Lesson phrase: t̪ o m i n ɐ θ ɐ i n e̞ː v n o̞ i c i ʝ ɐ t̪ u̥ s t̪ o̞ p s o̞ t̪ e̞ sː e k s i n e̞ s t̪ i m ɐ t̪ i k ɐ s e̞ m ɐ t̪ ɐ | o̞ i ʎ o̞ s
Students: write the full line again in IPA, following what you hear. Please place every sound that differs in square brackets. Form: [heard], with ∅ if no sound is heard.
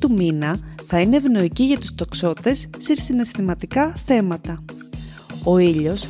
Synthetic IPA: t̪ [u] m i n ɐ θ ɐ i n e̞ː v n o̞ i c i ʝ ɐ t̪ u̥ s t̪ o̞ [k] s o̞ t̪ e̞ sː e [∅] s i n e̞ s t̪ i m ɐ t̪ i k ɐ [θ] e̞ m ɐ t̪ ɐ | o̞ i ʎ o̞ s